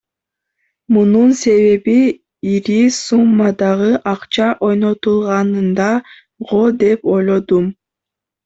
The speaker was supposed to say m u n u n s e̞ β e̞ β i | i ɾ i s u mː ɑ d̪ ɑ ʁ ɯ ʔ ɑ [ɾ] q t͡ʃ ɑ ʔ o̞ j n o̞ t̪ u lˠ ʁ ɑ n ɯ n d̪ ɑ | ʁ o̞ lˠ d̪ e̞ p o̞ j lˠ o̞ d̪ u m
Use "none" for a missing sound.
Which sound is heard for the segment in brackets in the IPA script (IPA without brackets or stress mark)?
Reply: none